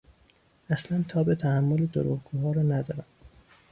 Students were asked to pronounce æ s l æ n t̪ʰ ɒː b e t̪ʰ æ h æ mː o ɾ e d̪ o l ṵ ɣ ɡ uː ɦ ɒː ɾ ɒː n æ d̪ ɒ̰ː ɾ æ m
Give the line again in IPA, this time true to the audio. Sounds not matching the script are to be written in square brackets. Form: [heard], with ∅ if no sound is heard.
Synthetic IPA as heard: æ s l æ n t̪ʰ ɒː b e t̪ʰ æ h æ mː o [l] e d̪ o [ɾ] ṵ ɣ ɡ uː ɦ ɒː ɾ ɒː n æ d̪ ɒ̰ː ɾ æ m

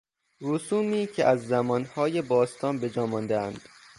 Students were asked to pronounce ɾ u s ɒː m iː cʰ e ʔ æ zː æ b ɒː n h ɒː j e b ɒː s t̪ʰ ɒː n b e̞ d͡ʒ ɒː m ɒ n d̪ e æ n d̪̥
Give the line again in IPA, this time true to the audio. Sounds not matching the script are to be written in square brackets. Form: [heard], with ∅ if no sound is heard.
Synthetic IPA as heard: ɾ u s [uː] m iː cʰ e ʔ æ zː æ [m] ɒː n h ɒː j e b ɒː s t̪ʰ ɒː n b e̞ d͡ʒ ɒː m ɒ n d̪ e æ n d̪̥

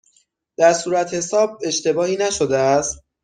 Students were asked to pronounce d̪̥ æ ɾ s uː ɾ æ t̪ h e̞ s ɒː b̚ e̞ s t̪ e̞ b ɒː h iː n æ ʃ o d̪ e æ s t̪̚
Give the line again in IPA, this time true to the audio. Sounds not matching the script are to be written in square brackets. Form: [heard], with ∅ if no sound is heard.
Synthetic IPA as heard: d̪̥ æ ɾ s uː ɾ æ t̪ h e̞ s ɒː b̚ e̞ [ʃ] t̪ e̞ b ɒː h iː n æ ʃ o d̪ e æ s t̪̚

